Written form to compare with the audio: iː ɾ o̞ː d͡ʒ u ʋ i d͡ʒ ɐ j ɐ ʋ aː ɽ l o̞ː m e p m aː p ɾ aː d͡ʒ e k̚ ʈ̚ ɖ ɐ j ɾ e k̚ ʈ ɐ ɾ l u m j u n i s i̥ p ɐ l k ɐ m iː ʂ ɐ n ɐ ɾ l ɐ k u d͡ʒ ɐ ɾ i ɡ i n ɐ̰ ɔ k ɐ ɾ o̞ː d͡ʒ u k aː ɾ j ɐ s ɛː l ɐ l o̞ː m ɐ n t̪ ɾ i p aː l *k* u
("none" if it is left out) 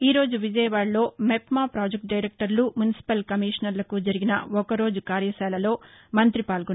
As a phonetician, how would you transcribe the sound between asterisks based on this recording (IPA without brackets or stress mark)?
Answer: ɡ